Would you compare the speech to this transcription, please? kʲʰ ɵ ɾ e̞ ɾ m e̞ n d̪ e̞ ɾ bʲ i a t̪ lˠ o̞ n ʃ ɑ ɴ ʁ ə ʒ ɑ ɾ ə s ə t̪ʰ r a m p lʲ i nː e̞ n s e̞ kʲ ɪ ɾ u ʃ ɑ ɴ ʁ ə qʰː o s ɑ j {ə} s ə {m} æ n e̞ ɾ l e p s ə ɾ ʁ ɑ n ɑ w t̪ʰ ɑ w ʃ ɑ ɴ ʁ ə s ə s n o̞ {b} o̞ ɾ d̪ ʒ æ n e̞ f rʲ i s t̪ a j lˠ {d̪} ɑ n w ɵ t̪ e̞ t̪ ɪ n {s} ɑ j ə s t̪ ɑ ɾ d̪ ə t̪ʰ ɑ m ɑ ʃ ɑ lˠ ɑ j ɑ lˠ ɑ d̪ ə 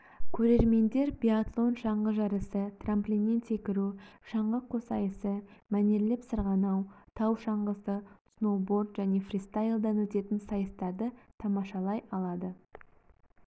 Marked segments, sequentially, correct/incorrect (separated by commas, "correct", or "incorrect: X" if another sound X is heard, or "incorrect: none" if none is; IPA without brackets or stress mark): correct, correct, correct, correct, correct